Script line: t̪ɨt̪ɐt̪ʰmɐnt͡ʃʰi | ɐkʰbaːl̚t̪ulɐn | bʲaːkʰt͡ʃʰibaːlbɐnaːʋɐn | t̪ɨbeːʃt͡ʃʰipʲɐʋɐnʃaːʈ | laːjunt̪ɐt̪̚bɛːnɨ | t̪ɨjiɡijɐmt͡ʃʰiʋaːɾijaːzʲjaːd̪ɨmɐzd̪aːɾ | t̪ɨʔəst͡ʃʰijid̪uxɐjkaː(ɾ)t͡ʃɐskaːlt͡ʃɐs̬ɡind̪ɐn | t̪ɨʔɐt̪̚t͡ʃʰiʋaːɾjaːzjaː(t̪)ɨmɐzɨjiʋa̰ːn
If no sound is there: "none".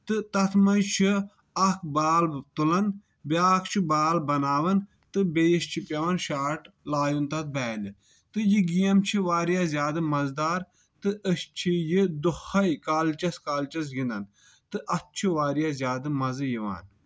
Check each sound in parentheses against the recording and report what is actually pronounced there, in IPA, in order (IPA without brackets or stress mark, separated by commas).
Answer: l, d̪